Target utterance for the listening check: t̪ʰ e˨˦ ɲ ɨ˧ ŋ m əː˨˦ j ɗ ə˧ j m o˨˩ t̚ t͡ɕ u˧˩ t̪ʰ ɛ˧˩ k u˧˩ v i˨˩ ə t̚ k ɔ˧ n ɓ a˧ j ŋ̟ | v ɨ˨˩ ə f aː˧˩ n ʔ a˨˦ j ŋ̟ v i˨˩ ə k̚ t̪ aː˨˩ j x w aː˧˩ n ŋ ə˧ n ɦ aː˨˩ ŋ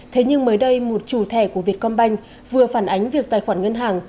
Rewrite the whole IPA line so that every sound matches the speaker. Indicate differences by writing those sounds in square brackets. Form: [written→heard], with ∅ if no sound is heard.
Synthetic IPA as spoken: t̪ʰ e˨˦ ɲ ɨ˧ ŋ m əː˨˦ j ɗ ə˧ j m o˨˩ t̚ t͡ɕ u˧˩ t̪ʰ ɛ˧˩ k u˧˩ v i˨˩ ə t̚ k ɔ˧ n ɓ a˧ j ŋ̟ | v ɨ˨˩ ə f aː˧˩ n ʔ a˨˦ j ŋ̟ v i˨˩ ə k̚ t̪ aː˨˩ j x w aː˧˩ n ŋ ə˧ n ɦ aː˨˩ ŋ